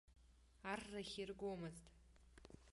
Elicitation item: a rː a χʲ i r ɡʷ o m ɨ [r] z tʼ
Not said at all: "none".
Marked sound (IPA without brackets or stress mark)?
none